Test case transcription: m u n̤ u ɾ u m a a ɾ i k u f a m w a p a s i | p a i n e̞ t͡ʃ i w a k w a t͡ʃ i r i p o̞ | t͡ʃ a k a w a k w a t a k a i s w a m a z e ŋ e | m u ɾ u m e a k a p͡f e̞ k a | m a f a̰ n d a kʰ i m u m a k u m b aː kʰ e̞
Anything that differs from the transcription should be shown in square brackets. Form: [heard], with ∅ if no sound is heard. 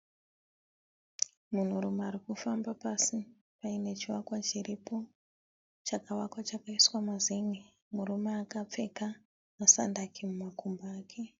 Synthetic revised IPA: m u n̤ u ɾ u m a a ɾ i k u f a m [b] a p a s i | p a i n e̞ t͡ʃ i w a k w a t͡ʃ i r i p o̞ | t͡ʃ a k a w a k w a [t͡ʃ] a k a i s w a m a z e ŋ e | m u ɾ u m e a k a p͡f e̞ k a | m a [s] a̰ n d a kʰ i m u m a k u m b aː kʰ e̞